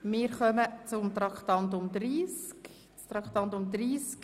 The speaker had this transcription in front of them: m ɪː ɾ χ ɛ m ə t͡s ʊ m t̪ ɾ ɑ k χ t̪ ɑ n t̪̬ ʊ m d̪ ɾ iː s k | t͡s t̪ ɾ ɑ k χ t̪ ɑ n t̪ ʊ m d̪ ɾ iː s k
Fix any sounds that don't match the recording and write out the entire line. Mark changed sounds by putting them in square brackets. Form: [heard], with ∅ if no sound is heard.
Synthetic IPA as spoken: m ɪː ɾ χ [œ] m ə t͡s ʊ m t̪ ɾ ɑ k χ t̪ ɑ n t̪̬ ʊ m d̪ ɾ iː s k | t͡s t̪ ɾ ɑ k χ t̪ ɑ n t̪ ʊ m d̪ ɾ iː s k